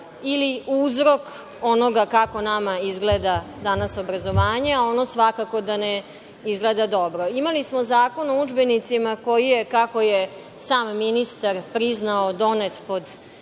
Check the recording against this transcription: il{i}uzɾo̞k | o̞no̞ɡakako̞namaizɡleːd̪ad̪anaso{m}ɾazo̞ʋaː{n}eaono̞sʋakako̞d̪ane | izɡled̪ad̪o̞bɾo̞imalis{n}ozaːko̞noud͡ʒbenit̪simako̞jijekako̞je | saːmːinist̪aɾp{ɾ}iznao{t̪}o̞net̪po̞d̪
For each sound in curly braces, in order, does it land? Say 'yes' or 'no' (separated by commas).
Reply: yes, no, no, no, yes, no